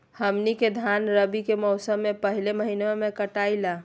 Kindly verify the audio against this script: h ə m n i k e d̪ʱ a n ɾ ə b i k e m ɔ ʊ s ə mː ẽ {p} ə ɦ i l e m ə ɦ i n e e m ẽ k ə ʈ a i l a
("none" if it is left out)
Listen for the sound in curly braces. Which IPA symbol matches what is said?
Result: p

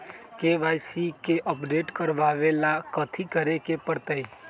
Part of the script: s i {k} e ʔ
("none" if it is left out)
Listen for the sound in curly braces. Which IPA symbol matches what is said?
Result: k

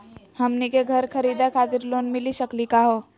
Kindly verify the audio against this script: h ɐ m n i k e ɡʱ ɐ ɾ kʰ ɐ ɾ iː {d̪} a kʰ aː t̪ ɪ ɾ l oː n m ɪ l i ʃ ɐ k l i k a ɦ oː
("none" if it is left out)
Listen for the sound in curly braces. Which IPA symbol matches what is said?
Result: d̪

